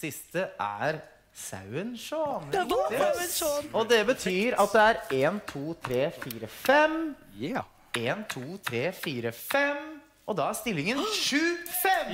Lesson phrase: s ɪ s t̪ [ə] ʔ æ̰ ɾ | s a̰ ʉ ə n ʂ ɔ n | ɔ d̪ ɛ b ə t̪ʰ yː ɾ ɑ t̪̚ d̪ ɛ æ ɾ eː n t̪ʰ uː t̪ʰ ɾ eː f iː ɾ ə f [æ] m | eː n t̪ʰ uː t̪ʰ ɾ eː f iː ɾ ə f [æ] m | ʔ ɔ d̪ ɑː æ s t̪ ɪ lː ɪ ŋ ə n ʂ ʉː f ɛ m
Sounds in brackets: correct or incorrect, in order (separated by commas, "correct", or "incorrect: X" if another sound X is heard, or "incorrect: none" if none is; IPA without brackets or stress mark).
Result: correct, incorrect: ɛ, incorrect: ɛ